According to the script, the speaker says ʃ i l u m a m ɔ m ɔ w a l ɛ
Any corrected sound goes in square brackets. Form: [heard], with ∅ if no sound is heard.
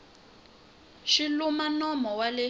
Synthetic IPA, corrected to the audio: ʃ i l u m a [n] ɔ m ɔ w a l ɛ